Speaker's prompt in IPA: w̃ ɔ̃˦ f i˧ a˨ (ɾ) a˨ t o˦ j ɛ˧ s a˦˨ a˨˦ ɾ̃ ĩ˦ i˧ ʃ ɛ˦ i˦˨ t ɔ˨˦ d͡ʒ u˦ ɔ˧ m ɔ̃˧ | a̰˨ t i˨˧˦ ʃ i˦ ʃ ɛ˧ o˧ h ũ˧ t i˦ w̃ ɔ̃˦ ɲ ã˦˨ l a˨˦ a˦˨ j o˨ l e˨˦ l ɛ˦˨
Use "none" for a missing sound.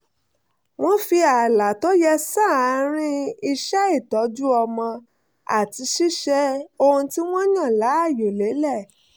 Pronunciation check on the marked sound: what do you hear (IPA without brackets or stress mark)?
l